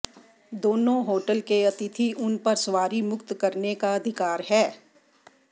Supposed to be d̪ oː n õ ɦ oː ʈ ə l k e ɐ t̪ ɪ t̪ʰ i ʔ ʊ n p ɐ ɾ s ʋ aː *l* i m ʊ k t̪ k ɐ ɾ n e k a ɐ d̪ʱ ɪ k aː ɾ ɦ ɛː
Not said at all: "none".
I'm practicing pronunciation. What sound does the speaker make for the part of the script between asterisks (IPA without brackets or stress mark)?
ɾ